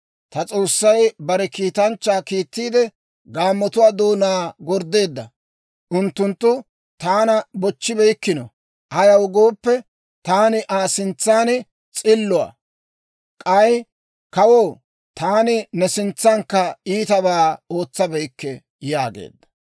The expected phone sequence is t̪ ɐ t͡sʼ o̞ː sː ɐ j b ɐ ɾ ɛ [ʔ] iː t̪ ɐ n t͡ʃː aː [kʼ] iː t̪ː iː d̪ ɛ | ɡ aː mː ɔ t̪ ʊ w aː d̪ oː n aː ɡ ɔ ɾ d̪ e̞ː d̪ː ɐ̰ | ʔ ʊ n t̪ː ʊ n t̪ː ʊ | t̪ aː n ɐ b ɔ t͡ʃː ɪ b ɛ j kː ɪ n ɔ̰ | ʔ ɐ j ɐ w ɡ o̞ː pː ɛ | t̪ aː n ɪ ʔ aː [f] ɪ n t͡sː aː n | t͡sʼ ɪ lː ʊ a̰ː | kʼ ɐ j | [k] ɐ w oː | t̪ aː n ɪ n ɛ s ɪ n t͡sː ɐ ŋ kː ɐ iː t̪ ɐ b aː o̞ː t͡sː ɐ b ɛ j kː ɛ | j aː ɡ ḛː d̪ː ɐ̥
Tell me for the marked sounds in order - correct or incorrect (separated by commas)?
incorrect, incorrect, incorrect, correct